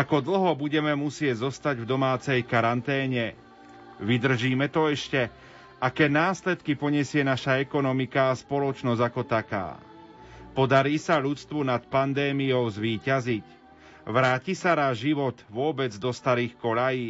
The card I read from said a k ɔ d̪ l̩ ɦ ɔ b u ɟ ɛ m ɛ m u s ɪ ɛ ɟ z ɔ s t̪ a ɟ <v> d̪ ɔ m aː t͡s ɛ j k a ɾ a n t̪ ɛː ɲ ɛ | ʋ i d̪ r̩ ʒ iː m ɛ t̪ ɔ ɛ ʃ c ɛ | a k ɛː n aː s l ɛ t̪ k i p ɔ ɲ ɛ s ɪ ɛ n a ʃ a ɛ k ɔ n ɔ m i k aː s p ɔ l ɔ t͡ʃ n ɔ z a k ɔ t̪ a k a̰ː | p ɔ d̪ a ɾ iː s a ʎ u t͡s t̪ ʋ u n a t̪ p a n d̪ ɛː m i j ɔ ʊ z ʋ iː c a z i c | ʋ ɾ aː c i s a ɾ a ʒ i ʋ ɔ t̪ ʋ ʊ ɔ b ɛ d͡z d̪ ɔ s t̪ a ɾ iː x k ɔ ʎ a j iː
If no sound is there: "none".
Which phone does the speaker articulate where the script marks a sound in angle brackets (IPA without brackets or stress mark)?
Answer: v